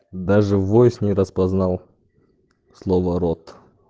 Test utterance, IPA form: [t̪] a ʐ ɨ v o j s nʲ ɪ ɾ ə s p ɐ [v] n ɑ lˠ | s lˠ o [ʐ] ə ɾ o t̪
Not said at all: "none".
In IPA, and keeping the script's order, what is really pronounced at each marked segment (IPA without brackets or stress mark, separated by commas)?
d̪, z, v